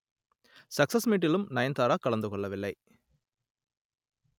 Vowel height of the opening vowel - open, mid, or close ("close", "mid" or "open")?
open